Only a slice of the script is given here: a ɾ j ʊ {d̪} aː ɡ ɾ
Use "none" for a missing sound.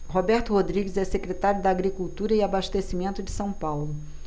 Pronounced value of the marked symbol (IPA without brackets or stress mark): d̪